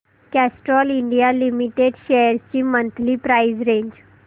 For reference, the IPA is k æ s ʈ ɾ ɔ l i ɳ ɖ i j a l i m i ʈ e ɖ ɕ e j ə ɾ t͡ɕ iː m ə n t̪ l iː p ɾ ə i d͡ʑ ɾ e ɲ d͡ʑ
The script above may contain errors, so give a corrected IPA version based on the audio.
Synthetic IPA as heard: k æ s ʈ ɾ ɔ l i ɳ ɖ i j a l i m i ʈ e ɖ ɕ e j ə ɾ t͡ɕ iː m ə n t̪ l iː p ɾ a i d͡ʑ ɾ e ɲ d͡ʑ